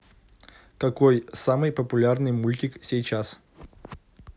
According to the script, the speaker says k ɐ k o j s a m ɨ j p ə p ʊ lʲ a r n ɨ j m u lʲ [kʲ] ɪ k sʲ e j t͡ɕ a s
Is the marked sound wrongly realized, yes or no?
yes